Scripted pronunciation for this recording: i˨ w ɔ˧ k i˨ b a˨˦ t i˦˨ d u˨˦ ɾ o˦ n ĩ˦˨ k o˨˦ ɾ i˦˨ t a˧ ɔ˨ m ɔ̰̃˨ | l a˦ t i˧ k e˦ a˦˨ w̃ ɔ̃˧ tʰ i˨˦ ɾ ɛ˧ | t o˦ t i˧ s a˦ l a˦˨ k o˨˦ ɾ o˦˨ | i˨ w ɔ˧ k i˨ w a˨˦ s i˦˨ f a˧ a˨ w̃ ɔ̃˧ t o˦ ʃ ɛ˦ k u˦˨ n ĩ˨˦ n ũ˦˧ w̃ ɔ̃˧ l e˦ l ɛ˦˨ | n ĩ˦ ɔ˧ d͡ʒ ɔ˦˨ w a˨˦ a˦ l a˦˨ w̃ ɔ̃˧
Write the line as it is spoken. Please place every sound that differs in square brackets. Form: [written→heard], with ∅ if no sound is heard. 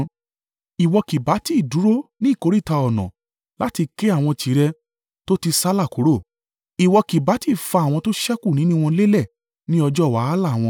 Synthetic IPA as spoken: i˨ w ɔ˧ k i˨ b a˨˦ t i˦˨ d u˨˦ ɾ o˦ n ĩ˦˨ k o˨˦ ɾ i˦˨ t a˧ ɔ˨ [m→n] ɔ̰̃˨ | l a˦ t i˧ k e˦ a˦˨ w̃ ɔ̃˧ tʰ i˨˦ ɾ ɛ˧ | t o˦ t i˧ s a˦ l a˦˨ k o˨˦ ɾ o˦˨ | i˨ w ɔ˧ k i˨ [w→b] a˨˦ [s→t] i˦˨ f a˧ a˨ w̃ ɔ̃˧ t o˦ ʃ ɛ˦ k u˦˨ n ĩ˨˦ n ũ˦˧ w̃ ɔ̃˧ l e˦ l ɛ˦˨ | n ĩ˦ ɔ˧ d͡ʒ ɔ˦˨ w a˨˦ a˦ l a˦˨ w̃ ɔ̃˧

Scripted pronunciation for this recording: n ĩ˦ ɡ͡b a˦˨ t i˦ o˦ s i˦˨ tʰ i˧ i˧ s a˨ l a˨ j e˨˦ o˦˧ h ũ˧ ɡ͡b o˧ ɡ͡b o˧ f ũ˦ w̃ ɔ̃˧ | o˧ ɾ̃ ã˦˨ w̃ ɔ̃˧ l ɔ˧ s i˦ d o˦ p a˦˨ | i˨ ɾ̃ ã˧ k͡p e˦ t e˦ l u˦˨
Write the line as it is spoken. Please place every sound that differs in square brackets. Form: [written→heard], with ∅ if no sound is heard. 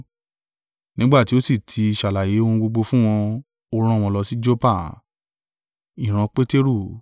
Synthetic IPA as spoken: n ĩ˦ ɡ͡b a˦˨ t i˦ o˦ s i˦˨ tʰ i˧ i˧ [s→ʃ] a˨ l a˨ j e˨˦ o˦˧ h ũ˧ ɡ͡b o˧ ɡ͡b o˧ f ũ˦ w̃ ɔ̃˧ | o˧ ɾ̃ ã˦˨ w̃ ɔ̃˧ l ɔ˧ s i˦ [d→d͡ʒ] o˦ p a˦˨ | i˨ ɾ̃ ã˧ k͡p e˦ t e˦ [l→ɾ] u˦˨

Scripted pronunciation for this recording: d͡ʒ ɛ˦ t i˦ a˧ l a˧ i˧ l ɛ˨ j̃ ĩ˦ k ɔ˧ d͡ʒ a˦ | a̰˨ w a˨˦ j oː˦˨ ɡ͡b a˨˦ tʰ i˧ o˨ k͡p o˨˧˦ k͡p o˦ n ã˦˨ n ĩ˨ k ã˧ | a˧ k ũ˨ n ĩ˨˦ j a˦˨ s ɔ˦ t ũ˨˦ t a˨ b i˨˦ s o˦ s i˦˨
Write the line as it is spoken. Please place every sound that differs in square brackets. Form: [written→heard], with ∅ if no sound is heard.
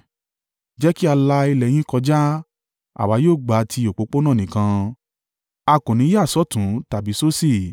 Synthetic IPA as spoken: d͡ʒ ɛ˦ [t→k] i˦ a˧ l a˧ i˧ l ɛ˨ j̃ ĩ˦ k ɔ˧ d͡ʒ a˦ | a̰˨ w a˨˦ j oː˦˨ ɡ͡b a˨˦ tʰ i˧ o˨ k͡p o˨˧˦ k͡p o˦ n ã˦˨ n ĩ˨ k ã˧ | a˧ k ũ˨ n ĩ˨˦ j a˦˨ s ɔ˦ t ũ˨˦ t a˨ b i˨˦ s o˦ s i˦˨

